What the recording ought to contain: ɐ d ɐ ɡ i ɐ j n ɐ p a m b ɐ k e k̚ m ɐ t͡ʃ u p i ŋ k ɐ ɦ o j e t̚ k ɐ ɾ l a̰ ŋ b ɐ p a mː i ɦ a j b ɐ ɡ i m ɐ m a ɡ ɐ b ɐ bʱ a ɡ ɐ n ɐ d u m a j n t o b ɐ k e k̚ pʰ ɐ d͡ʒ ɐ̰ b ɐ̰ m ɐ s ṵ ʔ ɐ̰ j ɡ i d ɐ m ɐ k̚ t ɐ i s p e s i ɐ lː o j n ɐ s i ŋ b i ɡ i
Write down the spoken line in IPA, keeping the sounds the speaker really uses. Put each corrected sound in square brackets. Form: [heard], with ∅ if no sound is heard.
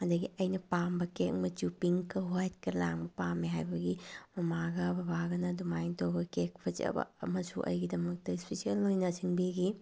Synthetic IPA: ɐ d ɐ ɡ i ɐ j n ɐ p a m b ɐ k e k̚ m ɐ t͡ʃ u p i ŋ k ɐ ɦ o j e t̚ k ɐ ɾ l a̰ ŋ b ɐ p a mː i ɦ a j b ɐ ɡ i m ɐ m a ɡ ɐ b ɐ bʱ a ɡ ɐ n ɐ d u m a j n t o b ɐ k e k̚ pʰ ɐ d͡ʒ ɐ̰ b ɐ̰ m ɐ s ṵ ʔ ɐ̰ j ɡ i d ɐ m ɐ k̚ t ɐ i s p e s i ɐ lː o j n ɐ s i ŋ b i ɡ i